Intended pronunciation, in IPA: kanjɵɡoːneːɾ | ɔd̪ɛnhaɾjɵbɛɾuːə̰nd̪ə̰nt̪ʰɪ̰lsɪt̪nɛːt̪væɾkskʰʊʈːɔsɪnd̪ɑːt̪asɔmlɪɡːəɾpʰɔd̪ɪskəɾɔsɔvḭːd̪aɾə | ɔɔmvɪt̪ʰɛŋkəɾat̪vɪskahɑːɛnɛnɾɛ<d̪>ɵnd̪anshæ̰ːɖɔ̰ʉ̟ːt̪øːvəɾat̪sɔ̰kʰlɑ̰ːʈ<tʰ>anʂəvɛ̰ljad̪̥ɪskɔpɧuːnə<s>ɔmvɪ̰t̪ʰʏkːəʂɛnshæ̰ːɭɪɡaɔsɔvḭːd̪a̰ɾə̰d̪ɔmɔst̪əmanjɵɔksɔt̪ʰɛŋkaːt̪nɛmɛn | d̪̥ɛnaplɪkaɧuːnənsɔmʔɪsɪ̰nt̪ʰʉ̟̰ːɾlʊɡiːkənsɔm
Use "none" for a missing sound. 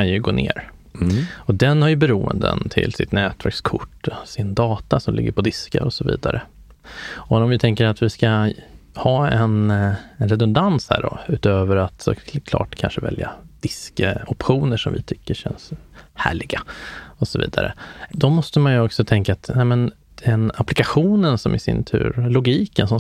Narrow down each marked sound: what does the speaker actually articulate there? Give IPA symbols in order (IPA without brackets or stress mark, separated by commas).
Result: d̪, kʰ, ʂ